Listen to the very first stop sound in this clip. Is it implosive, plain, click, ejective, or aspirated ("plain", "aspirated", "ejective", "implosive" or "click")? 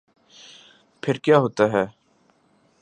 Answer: aspirated